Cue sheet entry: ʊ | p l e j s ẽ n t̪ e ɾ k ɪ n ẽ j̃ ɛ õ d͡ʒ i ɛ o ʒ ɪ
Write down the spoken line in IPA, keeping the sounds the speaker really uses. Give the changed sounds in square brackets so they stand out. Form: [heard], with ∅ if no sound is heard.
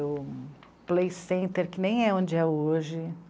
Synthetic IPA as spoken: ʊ | p l e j s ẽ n t̪ e ɾ k ɪ n ẽ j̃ ɛ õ d͡ʒ [ɪ] ɛ o ʒ ɪ